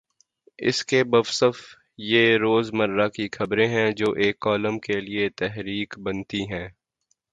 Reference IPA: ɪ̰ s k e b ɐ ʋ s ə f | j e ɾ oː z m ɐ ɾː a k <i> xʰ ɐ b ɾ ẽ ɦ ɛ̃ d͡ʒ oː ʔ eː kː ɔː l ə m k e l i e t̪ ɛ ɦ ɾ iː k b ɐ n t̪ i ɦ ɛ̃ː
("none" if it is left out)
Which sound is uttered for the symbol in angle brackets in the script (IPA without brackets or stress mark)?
i